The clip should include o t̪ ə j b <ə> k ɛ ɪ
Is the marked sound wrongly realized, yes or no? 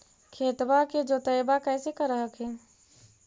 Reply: yes